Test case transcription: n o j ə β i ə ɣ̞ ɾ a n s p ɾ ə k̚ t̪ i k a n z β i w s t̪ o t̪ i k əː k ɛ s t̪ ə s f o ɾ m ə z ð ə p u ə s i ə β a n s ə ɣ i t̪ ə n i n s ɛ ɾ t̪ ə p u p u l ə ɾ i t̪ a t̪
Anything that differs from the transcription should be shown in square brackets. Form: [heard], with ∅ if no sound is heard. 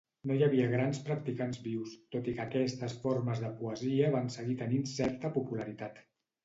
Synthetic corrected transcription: n o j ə β i ə ɣ̞ ɾ a n s p ɾ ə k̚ t̪ i k a n z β i w s t̪ o t̪ i k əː k ɛ s t̪ ə s f o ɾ m ə z ð ə p u ə [z] i ə β a n s ə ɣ i t̪ ə n i n s ɛ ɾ t̪ ə p u p u l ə ɾ i t̪ a t̪